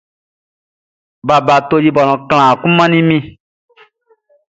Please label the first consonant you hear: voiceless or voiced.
voiced